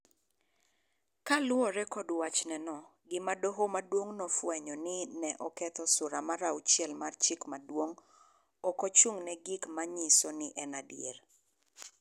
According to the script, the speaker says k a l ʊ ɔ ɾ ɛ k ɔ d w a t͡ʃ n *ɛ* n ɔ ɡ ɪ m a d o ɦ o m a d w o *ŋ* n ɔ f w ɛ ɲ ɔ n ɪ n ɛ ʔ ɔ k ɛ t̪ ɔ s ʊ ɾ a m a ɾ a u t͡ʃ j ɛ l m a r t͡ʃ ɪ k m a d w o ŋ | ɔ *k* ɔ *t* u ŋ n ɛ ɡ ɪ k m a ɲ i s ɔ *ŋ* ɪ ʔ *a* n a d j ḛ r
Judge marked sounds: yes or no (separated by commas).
yes, yes, yes, no, no, no